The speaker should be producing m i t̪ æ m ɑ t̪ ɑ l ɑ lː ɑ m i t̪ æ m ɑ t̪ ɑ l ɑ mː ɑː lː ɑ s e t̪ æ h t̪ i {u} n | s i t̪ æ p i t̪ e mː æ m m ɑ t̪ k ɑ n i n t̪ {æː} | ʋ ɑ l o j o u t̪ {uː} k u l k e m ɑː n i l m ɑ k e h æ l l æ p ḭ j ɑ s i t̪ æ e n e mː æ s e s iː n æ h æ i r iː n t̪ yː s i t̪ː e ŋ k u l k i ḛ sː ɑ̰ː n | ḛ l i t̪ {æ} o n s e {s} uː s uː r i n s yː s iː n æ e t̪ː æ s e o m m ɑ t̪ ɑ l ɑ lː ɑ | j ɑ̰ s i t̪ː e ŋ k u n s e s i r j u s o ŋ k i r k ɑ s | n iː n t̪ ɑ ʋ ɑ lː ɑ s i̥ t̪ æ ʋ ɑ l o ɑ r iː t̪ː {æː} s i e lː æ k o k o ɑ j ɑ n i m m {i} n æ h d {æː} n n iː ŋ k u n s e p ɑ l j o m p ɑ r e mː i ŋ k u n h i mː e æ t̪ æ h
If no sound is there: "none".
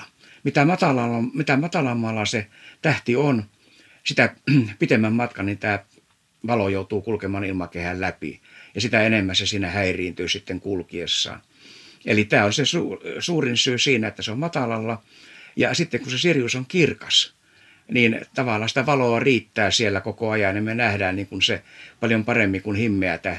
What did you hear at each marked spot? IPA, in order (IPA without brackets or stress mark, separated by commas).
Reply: o, æː, uː, æː, s, æː, e, æː